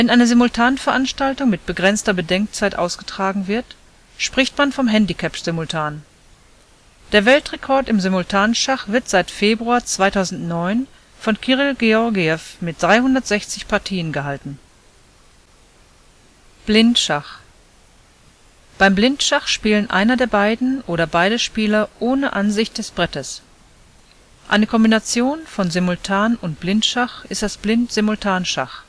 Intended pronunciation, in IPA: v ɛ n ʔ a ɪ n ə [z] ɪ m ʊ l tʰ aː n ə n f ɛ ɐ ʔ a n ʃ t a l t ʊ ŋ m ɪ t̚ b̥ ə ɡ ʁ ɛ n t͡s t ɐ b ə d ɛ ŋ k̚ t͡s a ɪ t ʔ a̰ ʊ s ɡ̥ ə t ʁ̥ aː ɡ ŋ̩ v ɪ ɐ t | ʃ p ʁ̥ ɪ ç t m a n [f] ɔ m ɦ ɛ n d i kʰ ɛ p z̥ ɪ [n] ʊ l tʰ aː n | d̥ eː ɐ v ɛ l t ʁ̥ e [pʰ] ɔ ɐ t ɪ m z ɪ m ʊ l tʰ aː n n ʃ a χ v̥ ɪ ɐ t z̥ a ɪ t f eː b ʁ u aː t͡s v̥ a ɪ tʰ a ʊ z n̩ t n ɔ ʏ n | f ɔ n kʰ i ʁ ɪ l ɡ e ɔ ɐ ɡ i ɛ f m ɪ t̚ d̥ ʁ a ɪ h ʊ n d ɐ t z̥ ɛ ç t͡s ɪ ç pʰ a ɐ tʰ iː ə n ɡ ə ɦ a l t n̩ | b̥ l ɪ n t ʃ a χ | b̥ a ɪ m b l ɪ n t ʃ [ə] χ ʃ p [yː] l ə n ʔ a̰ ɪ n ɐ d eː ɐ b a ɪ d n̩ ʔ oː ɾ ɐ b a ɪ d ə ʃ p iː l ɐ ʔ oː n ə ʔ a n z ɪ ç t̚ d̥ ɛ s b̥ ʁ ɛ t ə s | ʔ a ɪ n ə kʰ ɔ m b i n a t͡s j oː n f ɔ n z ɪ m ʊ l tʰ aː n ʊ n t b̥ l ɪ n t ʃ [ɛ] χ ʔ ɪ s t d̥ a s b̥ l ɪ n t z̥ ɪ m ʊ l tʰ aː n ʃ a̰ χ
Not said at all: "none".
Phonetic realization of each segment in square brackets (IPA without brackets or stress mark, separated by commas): z, f, m, kʰ, a, iː, a